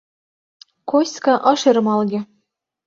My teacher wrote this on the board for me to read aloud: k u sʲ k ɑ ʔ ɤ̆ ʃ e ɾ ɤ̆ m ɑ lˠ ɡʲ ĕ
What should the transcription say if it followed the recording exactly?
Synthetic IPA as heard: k o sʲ k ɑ ʔ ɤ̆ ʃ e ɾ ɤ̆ m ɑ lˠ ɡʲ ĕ